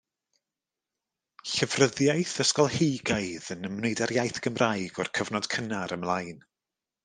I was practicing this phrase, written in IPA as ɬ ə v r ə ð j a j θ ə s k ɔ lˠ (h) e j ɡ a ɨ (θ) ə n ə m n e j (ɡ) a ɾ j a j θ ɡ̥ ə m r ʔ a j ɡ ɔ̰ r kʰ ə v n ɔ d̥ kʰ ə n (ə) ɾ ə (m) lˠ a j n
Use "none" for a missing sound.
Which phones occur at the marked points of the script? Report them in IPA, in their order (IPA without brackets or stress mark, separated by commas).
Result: h, ð, d, a, m